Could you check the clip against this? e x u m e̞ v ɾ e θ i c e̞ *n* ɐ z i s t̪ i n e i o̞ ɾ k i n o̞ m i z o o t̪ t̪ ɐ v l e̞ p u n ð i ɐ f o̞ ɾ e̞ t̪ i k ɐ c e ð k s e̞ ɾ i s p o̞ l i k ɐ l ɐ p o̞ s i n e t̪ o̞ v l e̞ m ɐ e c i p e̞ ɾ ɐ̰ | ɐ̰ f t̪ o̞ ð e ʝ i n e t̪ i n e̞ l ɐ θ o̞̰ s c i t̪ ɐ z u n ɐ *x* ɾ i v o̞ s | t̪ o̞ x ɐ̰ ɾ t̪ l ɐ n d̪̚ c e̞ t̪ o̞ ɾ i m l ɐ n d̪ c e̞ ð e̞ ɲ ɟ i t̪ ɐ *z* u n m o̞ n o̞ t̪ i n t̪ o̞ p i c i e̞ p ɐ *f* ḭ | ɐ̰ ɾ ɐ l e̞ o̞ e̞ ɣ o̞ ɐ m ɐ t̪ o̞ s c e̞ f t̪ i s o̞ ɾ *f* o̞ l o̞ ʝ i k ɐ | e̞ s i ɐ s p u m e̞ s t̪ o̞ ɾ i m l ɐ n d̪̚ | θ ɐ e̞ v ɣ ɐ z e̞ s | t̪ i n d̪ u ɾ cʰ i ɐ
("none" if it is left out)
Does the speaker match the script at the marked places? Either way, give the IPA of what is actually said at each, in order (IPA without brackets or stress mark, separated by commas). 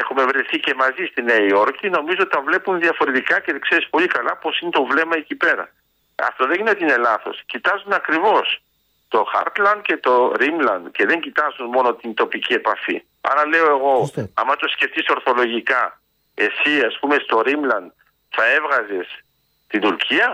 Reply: m, k, z, f, θ